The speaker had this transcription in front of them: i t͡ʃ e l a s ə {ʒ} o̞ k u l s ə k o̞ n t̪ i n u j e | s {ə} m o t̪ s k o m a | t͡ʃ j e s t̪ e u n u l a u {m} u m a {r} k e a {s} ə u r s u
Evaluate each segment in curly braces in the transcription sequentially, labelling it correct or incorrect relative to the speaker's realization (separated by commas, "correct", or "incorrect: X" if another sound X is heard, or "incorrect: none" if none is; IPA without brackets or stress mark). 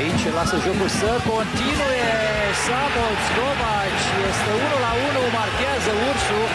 correct, incorrect: a, incorrect: n, correct, incorrect: z